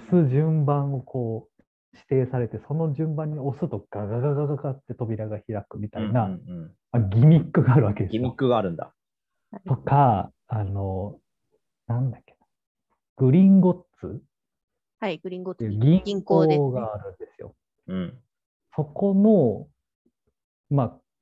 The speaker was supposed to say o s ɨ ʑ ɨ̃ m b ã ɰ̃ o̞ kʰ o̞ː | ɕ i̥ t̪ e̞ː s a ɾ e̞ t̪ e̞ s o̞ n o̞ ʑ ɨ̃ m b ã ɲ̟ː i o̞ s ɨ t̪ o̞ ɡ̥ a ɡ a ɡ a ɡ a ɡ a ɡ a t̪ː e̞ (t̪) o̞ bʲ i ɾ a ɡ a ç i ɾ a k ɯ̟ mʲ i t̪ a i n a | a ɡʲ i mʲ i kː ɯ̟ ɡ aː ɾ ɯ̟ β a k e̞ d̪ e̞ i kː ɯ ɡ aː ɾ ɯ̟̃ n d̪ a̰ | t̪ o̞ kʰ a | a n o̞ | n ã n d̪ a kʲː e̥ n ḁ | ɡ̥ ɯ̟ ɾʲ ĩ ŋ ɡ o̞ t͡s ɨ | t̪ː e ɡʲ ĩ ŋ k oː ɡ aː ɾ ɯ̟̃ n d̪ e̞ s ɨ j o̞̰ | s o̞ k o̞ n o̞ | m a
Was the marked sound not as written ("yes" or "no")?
no